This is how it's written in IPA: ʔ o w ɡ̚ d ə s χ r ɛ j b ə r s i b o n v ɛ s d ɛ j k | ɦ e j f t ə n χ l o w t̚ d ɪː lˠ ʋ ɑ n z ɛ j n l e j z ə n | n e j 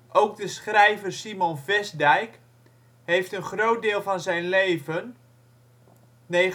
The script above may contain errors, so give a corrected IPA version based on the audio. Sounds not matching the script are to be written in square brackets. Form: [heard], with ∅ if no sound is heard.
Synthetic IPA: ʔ o w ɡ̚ d ə s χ r ɛ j [v] ə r s i [m] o n v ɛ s d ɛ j k | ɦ e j f t ə n χ [r] o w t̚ d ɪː lˠ [v] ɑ n z ɛ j n l e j [v] ə n | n e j